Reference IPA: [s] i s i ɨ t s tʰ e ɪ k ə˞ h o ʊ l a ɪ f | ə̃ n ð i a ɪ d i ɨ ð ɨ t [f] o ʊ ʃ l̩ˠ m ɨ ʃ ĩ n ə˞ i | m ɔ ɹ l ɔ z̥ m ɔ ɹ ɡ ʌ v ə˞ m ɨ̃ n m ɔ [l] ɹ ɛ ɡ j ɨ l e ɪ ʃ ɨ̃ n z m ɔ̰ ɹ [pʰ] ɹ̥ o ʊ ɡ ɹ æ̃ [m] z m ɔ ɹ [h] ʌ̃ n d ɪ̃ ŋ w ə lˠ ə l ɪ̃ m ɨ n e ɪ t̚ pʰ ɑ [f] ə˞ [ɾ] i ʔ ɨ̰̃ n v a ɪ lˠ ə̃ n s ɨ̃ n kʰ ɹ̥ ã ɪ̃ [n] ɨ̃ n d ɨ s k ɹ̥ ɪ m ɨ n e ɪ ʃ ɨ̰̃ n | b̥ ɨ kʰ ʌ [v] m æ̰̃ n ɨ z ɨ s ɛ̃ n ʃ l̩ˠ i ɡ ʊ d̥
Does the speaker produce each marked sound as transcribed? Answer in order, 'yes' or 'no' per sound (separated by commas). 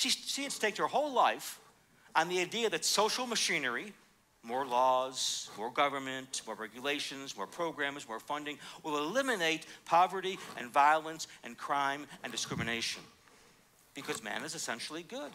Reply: no, no, no, yes, yes, no, no, yes, no, no